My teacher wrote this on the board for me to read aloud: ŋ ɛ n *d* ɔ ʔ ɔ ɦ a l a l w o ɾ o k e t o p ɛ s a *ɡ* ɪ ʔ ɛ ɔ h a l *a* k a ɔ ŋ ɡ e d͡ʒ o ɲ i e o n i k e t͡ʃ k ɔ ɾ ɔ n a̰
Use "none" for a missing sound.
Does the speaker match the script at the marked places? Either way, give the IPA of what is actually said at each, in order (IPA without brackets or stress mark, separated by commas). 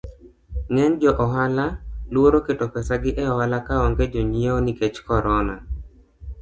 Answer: d͡ʒ, ɡ, a